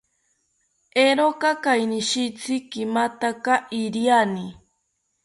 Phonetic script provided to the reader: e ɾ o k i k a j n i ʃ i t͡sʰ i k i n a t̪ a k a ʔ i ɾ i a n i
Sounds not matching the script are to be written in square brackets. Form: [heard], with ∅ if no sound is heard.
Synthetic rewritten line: e ɾ o k [a] k a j n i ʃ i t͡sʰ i k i [m] a t̪ a k a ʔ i ɾ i a n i